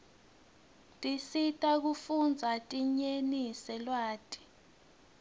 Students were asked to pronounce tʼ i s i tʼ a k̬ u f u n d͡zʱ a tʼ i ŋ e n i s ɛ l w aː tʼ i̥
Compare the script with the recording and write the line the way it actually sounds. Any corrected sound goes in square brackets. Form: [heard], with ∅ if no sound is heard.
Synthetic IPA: tʼ i s i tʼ a k̬ u f u n d͡zʱ a tʼ i [ɲ] e n i s ɛ l w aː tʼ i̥